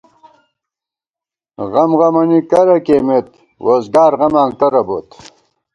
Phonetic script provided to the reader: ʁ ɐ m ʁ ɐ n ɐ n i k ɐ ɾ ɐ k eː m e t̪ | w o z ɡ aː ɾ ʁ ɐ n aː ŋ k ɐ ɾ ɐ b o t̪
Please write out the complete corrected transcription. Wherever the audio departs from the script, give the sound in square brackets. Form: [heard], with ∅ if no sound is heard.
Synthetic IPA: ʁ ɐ m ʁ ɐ [m] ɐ n i k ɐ ɾ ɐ k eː m e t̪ | w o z ɡ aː ɾ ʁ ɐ [m] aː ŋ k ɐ ɾ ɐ b o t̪